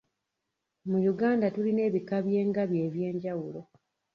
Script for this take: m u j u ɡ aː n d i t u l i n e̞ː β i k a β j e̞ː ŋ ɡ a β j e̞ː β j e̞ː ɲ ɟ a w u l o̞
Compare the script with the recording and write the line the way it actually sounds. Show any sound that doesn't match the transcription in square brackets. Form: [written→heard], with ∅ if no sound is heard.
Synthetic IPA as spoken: m u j u ɡ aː n d [i→a] t u l i n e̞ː β i k a β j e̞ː ŋ ɡ a β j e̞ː β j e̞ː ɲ ɟ a w u l o̞